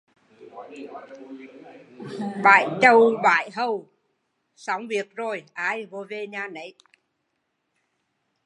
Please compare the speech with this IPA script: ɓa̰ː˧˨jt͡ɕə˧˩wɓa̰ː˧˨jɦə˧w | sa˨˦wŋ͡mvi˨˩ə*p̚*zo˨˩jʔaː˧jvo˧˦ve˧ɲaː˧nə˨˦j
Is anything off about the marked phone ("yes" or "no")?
yes